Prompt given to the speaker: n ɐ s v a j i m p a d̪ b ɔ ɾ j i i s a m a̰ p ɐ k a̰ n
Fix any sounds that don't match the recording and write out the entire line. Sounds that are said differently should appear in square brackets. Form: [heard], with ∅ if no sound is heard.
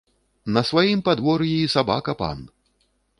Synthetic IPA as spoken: n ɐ s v a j i m p a d̪ [v] ɔ ɾ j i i s a [b] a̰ [k] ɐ [p] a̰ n